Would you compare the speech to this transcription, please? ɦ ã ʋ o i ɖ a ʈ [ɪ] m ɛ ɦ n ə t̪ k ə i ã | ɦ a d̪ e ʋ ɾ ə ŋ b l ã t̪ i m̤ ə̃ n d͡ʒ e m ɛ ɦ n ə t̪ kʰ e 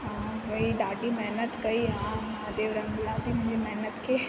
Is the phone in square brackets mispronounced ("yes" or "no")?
yes